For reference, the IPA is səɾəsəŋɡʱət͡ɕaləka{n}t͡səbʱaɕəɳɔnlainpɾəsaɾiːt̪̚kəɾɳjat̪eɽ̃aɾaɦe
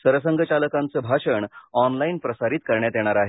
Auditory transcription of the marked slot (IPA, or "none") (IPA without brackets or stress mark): n